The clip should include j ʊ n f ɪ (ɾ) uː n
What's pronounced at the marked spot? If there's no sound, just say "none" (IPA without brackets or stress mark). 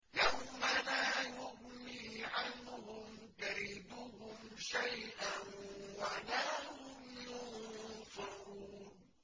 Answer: ɾ